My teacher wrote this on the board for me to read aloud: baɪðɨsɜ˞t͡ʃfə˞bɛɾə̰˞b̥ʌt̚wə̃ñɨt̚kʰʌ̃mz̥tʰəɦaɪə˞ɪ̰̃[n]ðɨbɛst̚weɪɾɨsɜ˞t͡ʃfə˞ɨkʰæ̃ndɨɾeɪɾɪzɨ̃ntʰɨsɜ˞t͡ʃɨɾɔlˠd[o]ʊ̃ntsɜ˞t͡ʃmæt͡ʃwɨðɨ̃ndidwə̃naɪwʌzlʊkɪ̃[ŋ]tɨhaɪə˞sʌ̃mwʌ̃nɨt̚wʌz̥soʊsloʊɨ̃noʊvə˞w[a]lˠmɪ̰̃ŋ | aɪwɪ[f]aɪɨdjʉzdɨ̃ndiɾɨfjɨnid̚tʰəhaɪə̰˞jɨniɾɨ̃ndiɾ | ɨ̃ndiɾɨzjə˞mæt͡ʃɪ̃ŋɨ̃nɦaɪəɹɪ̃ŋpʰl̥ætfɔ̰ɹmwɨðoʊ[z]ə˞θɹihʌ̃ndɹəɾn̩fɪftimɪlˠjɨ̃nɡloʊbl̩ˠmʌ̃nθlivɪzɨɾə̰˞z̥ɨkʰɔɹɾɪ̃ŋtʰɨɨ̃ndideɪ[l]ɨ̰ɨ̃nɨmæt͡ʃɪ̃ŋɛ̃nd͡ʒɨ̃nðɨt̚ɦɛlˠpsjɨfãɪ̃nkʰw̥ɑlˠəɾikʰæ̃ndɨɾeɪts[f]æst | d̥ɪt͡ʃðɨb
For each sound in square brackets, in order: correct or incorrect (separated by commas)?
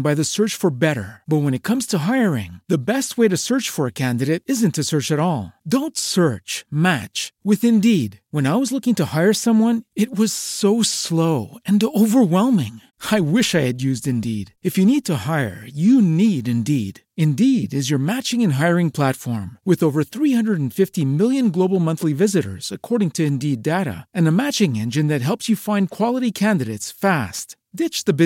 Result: incorrect, incorrect, correct, incorrect, incorrect, incorrect, incorrect, correct